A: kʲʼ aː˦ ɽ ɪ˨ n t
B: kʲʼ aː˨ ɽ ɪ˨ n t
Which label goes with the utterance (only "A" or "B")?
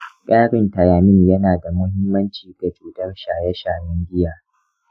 A